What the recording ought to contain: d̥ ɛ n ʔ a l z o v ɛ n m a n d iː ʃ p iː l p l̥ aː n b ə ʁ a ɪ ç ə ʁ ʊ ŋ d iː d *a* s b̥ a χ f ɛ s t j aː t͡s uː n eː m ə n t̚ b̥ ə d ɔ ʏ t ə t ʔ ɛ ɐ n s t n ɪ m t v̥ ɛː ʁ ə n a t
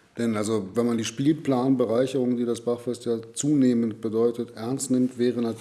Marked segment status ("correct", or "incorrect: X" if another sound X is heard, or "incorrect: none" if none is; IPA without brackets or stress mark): correct